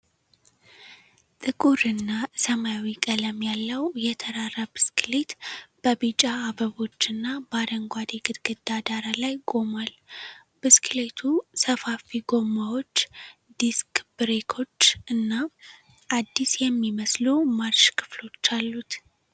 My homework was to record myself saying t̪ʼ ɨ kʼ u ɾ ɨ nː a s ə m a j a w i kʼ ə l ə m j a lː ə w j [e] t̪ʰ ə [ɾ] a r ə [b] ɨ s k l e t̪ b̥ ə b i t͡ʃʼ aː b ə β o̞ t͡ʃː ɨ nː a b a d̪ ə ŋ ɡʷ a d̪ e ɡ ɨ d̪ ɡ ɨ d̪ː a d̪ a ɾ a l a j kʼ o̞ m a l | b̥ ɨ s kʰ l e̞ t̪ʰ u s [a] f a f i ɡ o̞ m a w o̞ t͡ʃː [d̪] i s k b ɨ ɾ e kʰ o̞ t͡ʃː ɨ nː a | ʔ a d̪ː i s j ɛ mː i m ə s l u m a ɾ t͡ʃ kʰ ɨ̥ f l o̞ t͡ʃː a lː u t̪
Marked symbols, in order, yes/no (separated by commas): no, yes, yes, no, yes